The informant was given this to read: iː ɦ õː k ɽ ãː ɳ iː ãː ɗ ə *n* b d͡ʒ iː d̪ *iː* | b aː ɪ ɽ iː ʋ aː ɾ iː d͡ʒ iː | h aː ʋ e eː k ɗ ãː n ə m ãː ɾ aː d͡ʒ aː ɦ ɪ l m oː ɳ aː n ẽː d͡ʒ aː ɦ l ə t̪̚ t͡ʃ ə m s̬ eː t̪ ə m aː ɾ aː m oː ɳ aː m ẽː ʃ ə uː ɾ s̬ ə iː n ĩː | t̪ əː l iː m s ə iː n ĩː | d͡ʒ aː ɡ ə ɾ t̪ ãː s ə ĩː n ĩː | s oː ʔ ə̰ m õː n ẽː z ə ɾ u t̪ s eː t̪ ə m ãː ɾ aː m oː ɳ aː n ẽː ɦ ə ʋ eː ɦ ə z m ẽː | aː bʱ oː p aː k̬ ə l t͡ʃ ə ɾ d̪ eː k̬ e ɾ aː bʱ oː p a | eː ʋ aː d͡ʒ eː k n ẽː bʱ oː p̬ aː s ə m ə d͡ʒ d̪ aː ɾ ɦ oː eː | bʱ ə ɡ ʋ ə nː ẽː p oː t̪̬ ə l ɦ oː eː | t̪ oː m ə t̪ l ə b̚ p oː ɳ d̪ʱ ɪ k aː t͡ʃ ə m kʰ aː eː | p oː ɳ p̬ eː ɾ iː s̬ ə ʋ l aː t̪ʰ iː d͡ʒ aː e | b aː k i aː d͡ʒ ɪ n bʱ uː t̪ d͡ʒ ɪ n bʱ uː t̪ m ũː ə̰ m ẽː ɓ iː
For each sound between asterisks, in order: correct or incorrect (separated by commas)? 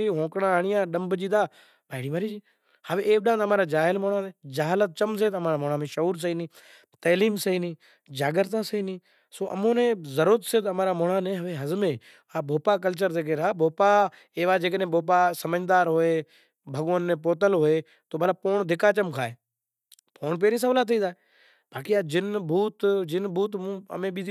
incorrect, incorrect